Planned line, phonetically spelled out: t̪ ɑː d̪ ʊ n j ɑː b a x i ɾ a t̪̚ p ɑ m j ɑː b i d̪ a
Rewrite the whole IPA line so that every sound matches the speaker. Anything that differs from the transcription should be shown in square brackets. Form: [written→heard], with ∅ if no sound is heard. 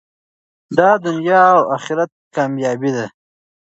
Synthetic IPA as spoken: [t̪→d̪] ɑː d̪ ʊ n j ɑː [b→w] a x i ɾ a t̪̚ [p→k] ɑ m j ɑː b i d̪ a